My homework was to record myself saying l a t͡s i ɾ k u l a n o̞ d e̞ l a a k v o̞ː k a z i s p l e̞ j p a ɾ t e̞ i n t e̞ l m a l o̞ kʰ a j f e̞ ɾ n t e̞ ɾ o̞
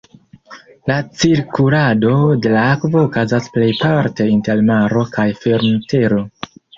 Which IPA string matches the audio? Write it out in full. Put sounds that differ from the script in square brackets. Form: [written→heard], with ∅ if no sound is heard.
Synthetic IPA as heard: l a t͡s i ɾ k u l a [n→d] o̞ d e̞ l a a k v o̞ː k a z [i→a] s p l e̞ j p a ɾ t e̞ i n t e̞ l m a [l→ɾ] o̞ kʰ a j f e̞ ɾ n t e̞ ɾ o̞